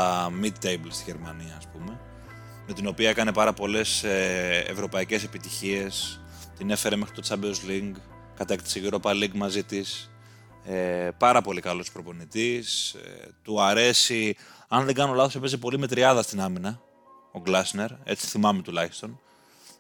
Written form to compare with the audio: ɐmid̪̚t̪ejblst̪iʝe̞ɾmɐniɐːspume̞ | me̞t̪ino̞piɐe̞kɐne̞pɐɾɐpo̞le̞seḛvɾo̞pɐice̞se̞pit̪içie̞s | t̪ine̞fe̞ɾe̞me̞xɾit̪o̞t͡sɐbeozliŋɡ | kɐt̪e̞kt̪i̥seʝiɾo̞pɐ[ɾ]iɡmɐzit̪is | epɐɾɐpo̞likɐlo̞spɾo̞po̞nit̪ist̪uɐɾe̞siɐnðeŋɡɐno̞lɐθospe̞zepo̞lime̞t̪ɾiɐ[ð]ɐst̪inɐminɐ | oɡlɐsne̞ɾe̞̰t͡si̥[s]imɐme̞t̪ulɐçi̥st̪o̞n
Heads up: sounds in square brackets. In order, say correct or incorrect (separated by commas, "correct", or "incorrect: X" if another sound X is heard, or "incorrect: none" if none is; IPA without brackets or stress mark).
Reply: incorrect: l, correct, incorrect: θ